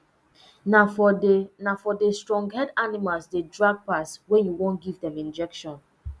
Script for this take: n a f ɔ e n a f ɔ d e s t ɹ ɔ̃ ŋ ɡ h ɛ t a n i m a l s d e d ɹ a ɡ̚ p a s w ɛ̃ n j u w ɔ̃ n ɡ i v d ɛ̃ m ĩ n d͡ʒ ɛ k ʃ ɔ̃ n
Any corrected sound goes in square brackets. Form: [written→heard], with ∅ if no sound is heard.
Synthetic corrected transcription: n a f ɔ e n a f ɔ d e s t ɹ ɔ̃ ŋ ɡ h ɛ [t→d] a n i m a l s d e d ɹ a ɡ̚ p a s w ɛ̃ n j u w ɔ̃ n ɡ i v d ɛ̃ m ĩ n d͡ʒ ɛ k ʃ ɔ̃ n